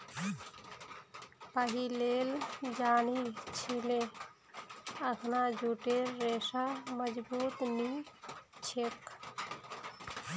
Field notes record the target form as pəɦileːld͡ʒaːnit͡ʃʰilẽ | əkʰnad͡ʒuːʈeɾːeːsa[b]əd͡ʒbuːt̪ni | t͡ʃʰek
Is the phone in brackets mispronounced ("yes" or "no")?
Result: yes